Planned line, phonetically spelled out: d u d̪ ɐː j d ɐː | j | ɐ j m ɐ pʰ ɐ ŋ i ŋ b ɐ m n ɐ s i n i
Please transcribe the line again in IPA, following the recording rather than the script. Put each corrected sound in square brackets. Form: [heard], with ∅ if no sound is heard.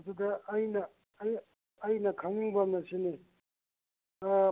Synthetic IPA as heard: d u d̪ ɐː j [n] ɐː | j | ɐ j [n] ɐ [kʰ] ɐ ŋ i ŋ b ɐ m n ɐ s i n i